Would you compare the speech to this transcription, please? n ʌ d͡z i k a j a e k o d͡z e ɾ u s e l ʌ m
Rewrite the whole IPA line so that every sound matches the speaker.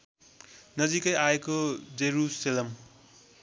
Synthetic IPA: n ʌ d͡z i k ʌ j a e k o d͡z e ɾ u s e l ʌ m